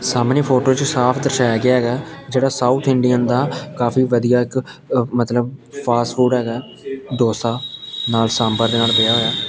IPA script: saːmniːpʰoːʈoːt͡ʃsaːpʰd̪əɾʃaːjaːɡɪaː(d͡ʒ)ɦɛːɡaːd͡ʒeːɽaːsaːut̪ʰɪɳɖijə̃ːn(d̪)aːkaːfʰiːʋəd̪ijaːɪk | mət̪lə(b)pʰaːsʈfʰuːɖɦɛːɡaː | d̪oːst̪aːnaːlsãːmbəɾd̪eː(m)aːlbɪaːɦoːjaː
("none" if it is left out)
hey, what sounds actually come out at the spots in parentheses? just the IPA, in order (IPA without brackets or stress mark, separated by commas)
none, d̪, b, n